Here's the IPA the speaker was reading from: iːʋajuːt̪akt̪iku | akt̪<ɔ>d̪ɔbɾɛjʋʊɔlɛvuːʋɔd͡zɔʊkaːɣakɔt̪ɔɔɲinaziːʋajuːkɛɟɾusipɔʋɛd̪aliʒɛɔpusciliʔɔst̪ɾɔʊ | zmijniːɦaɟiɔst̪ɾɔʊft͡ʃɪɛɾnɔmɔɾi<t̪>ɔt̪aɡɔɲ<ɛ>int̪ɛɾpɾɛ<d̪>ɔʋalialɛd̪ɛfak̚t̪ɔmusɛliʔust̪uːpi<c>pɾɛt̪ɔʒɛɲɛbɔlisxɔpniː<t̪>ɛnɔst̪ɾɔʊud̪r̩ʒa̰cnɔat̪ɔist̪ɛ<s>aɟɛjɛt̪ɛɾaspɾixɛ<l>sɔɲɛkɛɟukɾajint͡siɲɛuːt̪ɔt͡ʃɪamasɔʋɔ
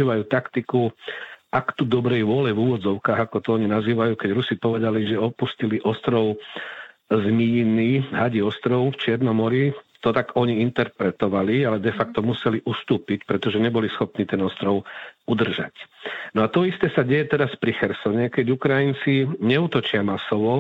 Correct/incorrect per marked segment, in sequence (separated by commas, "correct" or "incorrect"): incorrect, correct, incorrect, incorrect, correct, correct, correct, incorrect